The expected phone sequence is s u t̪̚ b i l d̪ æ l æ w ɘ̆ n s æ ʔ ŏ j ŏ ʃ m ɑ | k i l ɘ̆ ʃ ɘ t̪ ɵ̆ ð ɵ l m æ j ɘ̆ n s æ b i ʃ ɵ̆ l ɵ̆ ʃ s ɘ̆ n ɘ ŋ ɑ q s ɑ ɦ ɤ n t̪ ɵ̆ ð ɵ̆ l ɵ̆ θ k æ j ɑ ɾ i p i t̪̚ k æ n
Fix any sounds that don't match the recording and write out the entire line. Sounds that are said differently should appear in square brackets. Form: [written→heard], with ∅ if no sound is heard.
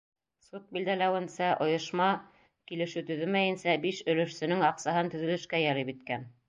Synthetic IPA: s u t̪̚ b i l d̪ æ l æ w ɘ̆ n s æ ʔ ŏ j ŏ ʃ m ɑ | k i l ɘ̆ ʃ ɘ t̪ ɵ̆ ð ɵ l m æ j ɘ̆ n s æ b i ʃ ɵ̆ l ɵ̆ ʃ s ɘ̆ n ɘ ŋ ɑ q s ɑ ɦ ɤ n t̪ ɵ̆ ð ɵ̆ l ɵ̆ [θ→ʃ] k æ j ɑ ɾ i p i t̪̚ k æ n